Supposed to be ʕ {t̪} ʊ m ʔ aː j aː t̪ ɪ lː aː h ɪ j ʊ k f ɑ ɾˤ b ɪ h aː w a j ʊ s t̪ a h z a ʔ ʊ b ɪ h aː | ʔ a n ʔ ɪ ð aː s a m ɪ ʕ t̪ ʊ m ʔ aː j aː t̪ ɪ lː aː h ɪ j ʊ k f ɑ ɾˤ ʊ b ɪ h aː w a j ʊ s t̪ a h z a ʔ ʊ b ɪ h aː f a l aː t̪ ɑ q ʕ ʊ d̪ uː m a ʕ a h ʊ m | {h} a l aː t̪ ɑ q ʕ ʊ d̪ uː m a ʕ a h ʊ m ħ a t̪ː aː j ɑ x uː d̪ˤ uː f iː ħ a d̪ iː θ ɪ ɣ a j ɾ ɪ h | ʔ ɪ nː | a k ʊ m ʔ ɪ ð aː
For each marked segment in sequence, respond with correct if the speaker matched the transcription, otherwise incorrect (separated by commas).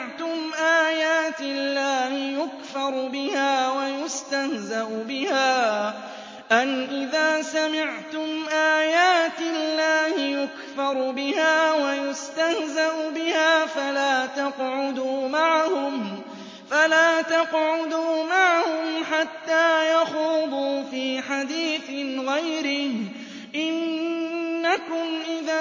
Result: correct, incorrect